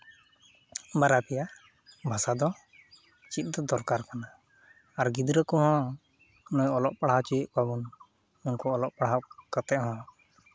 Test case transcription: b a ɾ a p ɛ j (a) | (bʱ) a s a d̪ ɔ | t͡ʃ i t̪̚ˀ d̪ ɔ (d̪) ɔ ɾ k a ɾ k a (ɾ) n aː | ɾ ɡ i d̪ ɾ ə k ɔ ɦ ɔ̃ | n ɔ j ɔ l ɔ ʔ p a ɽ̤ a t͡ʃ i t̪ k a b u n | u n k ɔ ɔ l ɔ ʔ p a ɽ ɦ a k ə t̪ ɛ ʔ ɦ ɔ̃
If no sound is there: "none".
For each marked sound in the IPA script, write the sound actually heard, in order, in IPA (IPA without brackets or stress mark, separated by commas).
a, bʱ, d̪, none